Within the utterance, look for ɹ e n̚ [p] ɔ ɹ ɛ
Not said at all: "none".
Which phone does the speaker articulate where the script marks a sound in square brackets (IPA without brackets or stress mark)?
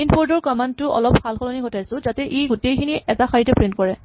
k